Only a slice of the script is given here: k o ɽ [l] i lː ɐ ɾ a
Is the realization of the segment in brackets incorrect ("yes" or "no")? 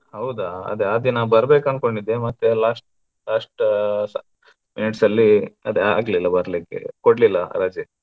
no